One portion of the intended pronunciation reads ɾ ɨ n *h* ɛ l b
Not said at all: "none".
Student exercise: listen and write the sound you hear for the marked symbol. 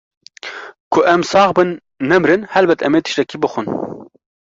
h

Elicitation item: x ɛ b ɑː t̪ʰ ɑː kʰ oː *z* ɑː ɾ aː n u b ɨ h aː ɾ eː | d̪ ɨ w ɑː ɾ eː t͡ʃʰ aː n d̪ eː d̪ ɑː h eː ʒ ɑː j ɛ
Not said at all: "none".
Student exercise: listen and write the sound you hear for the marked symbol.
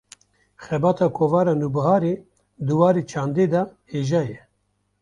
v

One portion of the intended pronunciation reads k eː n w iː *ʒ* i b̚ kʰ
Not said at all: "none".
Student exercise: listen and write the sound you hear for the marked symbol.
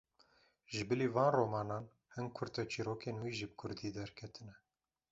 ʒ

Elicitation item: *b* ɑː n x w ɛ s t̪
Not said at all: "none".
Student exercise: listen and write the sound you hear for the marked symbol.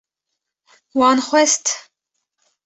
w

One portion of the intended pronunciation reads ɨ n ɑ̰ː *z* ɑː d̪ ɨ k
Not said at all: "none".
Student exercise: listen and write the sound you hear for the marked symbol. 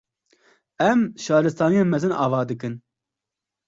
v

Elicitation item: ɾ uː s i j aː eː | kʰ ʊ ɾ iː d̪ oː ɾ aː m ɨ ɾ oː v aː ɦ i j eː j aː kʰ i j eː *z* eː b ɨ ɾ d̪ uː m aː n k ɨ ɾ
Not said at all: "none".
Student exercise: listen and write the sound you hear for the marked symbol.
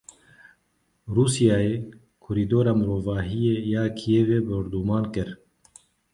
v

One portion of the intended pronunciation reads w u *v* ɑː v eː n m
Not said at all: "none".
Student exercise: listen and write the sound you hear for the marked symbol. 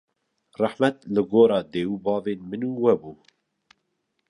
b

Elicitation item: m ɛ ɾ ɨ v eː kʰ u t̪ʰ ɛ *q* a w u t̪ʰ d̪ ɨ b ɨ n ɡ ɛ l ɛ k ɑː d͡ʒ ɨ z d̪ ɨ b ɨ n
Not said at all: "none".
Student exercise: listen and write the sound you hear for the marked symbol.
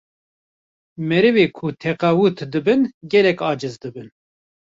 q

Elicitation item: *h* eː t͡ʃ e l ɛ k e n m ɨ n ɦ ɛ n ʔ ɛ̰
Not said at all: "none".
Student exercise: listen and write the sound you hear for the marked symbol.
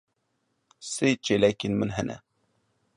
s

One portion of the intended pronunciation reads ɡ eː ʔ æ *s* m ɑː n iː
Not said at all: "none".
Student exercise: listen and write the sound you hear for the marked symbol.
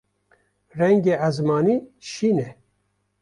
z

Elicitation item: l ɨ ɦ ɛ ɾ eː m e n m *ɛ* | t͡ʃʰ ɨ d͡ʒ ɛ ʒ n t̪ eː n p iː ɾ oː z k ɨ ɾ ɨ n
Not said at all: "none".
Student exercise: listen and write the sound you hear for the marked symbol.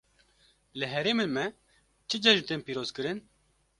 ɛ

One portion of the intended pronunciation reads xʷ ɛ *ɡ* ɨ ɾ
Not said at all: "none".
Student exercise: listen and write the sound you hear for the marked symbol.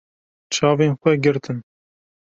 ɡ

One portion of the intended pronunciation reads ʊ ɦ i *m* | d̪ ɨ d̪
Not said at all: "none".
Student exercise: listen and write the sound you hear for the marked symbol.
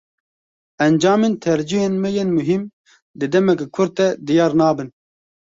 m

